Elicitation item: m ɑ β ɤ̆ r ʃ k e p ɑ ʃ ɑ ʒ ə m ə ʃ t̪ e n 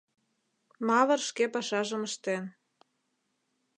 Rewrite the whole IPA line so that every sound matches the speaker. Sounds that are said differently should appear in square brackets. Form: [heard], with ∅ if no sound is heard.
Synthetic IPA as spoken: m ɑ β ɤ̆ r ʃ k e p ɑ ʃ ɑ ʒ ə m ə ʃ t̪ e n